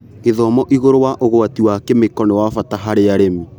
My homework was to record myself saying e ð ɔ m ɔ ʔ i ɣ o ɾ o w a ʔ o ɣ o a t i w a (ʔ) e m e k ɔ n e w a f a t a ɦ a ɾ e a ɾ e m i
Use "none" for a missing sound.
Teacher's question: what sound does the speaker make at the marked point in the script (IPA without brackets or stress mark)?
k